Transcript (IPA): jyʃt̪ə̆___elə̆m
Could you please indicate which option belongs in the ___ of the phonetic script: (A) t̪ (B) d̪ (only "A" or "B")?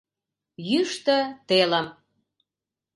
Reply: A